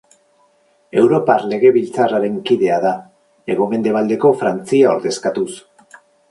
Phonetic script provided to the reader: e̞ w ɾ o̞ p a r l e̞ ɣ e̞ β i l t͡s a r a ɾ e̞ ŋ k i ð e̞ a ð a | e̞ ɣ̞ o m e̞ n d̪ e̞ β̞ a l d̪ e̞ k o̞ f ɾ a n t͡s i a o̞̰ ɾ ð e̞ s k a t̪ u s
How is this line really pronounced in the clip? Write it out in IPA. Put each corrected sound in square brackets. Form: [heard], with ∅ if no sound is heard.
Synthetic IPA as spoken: e̞ w ɾ o̞ p a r l e̞ ɣ e̞ β i l t͡s a r a ɾ e̞ ŋ k i ð e̞ a ð a | e̞ ɣ̞ o m e̞ n d̪ e̞ β̞ a l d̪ e̞ k o̞ f ɾ a n t͡s i a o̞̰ ɾ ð e̞ s k a t̪ u s